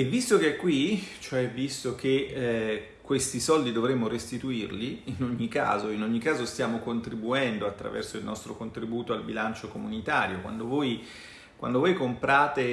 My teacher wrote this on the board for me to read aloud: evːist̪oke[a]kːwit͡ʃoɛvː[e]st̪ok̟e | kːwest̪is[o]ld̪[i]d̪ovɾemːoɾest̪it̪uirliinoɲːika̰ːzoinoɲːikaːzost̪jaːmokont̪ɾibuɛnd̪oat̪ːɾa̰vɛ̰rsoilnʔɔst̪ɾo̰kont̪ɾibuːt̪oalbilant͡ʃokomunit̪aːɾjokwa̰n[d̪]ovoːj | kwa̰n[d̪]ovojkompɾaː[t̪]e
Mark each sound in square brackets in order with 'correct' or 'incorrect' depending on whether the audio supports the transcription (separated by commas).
incorrect, incorrect, incorrect, correct, correct, correct, correct